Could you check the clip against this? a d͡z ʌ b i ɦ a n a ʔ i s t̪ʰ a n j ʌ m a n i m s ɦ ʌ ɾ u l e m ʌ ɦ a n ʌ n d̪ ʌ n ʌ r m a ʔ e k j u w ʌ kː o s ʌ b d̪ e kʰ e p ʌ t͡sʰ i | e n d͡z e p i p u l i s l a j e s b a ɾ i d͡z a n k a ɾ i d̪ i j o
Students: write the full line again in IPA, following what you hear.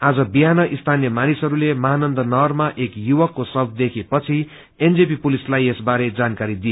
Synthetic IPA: a d͡z ʌ b i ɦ a n ʌ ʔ i s t̪ʰ a n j ʌ m a n i s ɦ ʌ ɾ u l e m ʌ ɦ a n ʌ n d̪ ʌ n ʌ r m a ʔ e k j u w ʌ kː o s ʌ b d̪ e kʰ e p ʌ t͡sʰ i | e n d͡z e p i p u l i s l a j e s b a ɾ e d͡z a n k a ɾ i d̪ i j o